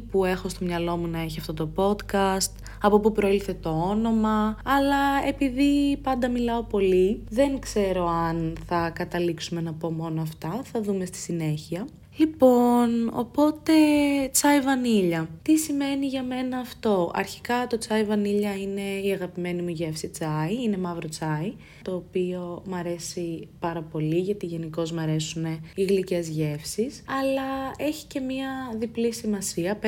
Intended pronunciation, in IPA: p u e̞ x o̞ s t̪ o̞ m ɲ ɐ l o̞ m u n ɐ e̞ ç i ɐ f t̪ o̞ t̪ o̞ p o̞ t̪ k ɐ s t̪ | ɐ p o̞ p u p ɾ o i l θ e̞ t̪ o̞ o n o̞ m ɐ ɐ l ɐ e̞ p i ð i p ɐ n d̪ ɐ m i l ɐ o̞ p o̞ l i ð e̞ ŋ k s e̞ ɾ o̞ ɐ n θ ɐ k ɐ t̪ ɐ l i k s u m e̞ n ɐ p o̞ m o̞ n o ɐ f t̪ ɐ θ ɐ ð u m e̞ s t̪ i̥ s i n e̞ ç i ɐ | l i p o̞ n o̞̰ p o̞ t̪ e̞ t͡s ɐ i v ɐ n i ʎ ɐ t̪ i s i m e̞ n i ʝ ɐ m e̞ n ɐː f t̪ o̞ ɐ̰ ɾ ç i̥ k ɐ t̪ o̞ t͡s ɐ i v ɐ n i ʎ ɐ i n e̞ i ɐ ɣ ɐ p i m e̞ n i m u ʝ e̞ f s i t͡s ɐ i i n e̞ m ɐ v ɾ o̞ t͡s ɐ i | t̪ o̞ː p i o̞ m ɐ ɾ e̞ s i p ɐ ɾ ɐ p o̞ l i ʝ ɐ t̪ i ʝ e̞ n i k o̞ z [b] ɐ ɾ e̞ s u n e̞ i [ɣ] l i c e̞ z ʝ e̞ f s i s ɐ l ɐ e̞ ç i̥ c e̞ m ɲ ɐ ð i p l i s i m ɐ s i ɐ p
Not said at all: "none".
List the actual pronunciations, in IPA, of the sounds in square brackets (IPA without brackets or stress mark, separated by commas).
m, ɣ